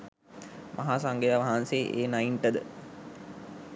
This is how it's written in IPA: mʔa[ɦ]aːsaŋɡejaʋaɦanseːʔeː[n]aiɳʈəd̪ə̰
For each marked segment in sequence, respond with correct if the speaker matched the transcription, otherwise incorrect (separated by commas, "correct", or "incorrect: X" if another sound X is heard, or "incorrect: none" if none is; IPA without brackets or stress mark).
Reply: correct, correct